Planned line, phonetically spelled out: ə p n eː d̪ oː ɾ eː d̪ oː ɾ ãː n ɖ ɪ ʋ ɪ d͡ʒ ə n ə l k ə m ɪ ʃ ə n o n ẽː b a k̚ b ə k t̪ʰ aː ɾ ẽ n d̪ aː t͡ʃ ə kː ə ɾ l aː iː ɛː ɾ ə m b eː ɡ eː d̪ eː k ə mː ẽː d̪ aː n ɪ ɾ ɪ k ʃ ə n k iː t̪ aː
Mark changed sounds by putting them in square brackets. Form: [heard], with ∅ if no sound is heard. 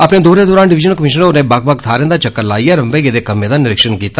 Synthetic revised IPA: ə p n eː d̪ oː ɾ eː d̪ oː ɾ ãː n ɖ ɪ ʋ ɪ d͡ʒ ə n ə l k ə m ɪ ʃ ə n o n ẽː b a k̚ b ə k t̪ʰ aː ɾ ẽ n d̪ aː t͡ʃ ə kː ə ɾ l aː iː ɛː ɾ ə m b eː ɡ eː d̪ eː k ə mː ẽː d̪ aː n ɪ ɾ ɪ k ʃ ə n k iː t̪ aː